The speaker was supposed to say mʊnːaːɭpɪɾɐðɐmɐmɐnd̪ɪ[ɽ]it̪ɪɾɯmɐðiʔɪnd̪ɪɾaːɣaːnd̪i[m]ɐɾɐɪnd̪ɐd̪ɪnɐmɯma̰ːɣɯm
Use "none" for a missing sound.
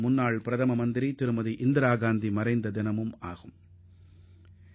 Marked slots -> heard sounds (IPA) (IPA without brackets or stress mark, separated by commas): ɾ, m